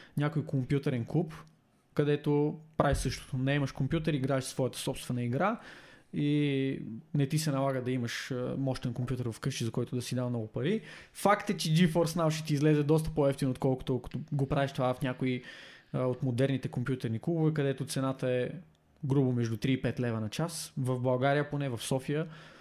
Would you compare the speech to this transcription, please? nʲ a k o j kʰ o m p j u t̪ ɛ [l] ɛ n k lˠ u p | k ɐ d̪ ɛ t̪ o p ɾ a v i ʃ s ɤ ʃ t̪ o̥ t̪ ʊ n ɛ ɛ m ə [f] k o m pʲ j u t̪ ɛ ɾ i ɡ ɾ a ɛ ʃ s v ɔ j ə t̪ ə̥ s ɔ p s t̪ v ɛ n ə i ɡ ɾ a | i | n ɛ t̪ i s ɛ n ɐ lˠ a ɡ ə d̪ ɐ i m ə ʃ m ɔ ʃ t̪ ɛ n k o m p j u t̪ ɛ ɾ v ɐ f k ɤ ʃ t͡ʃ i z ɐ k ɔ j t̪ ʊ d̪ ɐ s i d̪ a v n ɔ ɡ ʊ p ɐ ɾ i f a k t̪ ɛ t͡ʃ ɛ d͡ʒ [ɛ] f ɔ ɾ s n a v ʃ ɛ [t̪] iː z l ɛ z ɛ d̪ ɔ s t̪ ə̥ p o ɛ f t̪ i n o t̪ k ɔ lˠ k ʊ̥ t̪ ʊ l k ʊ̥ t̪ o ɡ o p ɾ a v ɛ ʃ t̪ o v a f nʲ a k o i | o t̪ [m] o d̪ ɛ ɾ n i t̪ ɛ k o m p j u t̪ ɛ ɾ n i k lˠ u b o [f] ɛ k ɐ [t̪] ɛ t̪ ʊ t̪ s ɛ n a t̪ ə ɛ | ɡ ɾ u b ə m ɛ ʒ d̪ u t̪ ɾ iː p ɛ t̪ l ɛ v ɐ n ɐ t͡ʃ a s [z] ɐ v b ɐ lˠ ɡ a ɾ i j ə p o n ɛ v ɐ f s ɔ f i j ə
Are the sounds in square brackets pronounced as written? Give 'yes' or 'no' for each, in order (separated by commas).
no, no, no, yes, yes, no, no, no